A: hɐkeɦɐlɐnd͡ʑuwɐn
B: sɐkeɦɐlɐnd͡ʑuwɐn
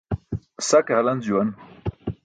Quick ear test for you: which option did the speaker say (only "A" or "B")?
B